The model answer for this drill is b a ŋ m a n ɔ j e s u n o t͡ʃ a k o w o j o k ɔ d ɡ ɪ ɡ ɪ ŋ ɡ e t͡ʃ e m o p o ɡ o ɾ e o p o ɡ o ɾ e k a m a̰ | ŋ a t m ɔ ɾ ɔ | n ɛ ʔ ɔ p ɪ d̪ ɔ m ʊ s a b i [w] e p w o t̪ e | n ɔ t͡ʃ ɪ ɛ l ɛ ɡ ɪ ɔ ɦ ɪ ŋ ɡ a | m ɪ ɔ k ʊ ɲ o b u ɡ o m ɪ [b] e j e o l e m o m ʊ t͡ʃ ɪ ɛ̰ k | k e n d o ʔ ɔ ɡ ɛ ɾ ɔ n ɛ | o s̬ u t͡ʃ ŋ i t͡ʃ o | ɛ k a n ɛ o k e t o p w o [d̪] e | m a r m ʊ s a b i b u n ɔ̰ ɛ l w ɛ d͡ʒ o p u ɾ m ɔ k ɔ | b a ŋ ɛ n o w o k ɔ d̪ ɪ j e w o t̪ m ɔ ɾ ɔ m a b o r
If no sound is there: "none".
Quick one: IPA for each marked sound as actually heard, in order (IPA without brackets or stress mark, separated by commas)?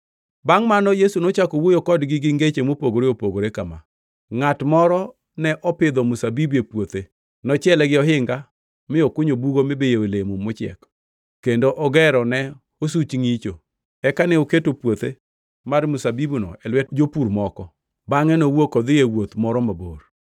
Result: b, b, t̪